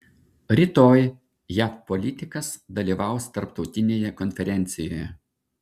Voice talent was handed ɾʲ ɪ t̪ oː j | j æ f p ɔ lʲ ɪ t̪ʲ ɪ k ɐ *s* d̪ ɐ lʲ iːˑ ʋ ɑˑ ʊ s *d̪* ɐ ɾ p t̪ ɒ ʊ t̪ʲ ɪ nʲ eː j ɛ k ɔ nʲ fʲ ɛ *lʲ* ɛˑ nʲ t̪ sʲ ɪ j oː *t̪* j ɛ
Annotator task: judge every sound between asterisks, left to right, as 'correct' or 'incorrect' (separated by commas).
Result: correct, incorrect, incorrect, incorrect